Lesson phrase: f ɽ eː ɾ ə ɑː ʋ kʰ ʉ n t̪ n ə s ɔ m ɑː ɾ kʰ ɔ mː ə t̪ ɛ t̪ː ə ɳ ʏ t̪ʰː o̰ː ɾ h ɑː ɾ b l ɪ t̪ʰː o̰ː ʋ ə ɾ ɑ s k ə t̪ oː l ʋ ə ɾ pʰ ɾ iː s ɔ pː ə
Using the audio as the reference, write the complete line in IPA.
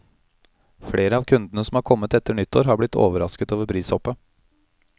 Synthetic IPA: f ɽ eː ɾ ə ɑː ʋ kʰ ʉ n d̪ n ə s ɔ m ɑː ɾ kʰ ɔ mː ə t̪ ɛ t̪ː ə ɳ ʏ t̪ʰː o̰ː ɾ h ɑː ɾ b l ɪ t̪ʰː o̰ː ʋ ə ɾ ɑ s k ə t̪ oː ʋ ə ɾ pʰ ɾ iː s ɔ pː ə